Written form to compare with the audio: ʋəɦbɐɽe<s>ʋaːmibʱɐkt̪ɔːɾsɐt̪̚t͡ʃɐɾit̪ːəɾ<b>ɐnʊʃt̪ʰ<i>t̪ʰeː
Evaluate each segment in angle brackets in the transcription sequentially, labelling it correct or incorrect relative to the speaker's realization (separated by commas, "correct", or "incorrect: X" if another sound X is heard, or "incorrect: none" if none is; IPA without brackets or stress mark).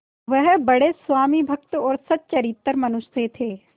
correct, incorrect: m, incorrect: e